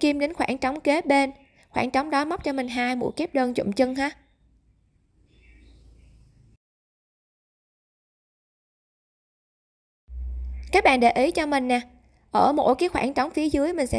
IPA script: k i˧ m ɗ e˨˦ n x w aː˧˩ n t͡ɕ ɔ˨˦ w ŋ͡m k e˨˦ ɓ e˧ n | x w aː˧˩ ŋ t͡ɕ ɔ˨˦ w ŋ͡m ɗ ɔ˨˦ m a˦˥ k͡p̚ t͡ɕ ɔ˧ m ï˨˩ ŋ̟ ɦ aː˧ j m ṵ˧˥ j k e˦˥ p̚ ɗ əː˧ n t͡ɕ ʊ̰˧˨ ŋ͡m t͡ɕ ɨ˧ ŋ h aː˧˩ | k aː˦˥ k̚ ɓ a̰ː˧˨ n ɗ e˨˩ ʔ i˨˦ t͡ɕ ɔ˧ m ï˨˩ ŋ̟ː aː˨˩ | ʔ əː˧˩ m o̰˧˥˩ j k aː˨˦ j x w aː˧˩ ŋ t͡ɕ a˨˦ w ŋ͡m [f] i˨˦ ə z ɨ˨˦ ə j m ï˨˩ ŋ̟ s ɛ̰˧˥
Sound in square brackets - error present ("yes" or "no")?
no